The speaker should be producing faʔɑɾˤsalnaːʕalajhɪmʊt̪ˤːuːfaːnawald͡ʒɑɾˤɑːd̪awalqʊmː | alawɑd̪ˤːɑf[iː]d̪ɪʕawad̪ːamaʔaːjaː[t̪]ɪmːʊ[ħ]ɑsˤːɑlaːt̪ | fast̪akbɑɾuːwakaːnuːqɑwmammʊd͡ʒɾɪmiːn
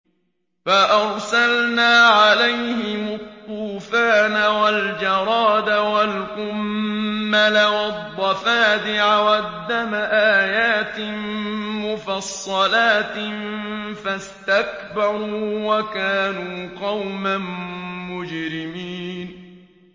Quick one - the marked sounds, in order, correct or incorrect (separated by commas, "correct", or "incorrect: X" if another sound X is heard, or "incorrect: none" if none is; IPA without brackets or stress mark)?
incorrect: aː, correct, incorrect: f